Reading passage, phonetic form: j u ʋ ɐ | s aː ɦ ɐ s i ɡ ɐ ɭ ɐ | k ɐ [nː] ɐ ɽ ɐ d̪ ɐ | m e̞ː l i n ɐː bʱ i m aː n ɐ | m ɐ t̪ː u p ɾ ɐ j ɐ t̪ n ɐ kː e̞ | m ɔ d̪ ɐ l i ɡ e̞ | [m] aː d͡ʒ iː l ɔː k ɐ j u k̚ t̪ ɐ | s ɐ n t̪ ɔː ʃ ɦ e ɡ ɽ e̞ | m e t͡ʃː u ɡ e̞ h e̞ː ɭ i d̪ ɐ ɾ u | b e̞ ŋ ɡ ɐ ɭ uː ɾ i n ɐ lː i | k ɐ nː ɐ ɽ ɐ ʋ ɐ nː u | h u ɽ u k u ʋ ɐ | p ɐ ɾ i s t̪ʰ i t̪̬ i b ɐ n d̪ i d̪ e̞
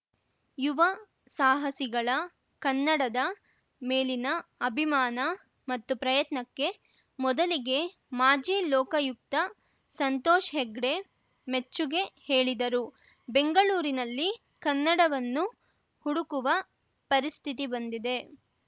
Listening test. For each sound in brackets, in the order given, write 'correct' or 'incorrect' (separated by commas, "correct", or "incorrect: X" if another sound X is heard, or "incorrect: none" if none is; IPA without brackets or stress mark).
correct, correct